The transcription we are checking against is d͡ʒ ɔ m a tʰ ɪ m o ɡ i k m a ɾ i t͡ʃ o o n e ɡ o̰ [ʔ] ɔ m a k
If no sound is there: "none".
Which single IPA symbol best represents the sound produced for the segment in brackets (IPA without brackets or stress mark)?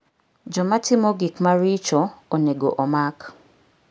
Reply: ʔ